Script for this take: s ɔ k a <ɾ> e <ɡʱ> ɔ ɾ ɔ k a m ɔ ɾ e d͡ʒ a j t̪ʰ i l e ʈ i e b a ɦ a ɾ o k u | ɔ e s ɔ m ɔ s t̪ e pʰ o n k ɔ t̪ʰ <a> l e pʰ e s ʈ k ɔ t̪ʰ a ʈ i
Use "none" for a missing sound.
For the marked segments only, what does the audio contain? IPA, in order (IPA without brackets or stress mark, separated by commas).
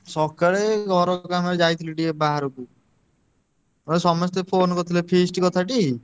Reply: ɭ, ɡʱ, i